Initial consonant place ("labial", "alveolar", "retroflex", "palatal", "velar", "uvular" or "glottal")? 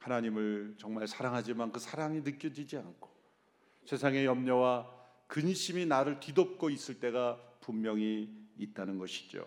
glottal